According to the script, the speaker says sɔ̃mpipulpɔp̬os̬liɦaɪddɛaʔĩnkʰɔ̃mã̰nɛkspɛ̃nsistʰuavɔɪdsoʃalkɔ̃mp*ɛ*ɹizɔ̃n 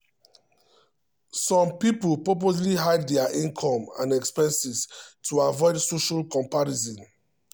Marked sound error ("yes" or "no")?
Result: yes